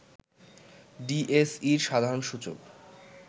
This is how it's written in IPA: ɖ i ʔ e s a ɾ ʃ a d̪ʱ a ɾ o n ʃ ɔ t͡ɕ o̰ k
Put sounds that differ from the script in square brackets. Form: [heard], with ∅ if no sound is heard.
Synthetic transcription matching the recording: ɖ i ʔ e s [i] ɾ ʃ a d̪ʱ a ɾ o n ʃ [u] t͡ɕ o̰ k